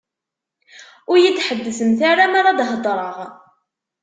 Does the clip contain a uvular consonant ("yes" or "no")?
yes